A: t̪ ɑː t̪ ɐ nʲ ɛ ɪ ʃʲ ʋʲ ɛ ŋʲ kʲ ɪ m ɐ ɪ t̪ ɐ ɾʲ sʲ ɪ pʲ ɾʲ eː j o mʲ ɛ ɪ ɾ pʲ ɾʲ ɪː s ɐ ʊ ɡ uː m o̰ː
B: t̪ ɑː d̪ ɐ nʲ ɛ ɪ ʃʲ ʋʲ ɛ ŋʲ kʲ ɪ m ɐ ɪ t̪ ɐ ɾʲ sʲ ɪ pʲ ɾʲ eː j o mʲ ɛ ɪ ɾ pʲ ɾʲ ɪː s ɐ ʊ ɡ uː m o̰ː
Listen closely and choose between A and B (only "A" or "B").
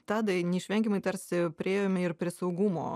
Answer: B